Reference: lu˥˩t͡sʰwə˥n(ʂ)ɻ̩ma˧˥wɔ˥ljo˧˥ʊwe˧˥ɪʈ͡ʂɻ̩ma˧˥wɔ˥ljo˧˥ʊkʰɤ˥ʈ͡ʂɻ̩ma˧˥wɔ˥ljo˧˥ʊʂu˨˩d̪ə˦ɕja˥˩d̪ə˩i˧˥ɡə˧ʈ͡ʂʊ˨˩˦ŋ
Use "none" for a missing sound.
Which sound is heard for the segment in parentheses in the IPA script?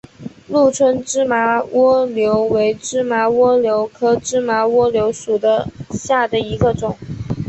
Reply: ʈ͡ʂ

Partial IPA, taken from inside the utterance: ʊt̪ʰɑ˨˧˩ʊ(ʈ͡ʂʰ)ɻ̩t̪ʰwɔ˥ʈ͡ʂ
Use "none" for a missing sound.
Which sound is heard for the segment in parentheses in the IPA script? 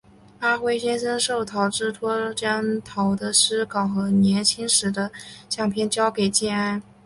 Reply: ʈ͡ʂ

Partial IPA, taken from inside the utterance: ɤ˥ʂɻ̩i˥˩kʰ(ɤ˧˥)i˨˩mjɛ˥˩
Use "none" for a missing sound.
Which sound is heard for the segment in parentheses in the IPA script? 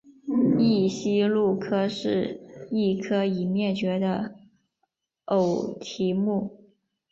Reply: ɤ˥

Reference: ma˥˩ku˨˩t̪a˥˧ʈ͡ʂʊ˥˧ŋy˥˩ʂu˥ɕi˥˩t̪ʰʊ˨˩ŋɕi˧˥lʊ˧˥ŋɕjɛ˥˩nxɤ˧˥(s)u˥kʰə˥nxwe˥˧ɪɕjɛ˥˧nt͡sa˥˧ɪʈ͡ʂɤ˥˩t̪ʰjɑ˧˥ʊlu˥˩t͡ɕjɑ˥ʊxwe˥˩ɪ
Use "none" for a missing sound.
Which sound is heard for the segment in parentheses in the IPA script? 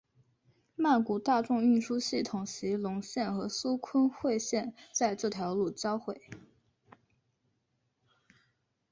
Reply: s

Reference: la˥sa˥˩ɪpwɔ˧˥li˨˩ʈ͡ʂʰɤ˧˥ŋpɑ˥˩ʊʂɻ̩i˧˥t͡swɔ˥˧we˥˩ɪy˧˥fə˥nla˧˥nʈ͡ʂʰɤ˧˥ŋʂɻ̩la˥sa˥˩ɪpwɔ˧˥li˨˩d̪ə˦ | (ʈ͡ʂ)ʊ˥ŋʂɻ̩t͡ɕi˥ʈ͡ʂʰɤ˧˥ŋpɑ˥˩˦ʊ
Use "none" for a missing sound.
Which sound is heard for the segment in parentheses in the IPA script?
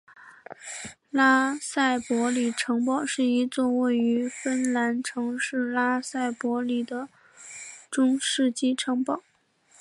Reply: ʈ͡ʂ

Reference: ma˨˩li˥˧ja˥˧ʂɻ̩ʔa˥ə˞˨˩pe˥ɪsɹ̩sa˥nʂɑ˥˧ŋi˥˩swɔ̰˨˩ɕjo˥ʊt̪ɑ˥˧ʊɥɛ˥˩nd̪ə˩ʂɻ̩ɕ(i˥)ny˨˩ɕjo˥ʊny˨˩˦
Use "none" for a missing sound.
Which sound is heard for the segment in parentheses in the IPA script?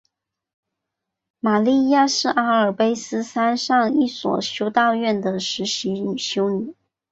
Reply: i˧˥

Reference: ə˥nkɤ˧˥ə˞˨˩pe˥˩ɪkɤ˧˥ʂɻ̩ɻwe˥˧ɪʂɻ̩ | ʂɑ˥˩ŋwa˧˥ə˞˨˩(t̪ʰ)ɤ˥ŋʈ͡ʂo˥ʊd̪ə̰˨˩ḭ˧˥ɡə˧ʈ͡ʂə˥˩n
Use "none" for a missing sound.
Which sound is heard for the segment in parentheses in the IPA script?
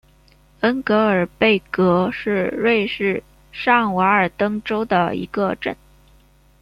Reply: t̪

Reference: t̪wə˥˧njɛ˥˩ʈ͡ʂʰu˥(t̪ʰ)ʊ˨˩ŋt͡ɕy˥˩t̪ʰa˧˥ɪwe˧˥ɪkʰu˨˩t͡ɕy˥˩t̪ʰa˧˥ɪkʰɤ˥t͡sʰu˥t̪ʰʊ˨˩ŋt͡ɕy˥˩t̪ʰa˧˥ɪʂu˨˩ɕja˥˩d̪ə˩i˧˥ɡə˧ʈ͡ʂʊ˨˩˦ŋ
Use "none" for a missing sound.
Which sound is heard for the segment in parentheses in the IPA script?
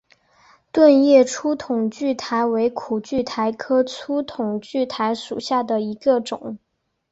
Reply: t̪ʰ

